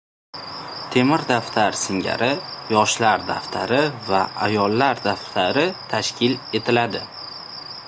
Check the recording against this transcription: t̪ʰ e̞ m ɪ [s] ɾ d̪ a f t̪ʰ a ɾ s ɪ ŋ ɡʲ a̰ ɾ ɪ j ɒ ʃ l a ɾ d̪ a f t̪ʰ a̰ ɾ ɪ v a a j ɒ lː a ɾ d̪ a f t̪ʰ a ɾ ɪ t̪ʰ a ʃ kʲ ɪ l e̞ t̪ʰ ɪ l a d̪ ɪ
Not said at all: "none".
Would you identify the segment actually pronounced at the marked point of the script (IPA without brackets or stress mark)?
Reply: none